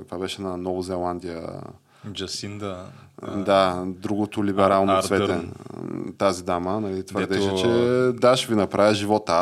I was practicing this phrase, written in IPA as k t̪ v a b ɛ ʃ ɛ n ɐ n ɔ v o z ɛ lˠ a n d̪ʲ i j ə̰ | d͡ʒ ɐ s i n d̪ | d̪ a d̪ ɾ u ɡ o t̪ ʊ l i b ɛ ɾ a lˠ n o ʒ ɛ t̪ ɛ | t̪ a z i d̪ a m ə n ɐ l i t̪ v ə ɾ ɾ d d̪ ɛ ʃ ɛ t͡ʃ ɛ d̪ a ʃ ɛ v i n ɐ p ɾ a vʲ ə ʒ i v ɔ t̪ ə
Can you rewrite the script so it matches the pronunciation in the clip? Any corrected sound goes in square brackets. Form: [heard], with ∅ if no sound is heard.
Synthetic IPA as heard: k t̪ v a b ɛ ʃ ɛ n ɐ n ɔ v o z ɛ lˠ a n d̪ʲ i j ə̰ | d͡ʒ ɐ s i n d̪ | d̪ a d̪ ɾ u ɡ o t̪ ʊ l i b ɛ ɾ a lˠ n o [v] ɛ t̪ ɛ | t̪ a z i d̪ a m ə n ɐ l i t̪ v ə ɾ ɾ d d̪ ɛ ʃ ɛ t͡ʃ ɛ d̪ a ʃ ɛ v i n ɐ p ɾ a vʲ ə ʒ i v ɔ t̪ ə